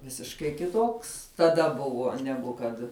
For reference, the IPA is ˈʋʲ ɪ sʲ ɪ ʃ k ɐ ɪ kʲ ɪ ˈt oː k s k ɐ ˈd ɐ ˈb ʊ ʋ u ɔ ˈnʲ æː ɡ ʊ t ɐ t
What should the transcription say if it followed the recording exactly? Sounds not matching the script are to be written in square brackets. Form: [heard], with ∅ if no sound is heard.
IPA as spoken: ˈʋʲ ɪ sʲ ɪ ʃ k ɐ ɪ kʲ ɪ ˈt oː k s [t] ɐ ˈd ɐ ˈb ʊ ʋ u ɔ ˈnʲ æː ɡ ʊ [k] ɐ t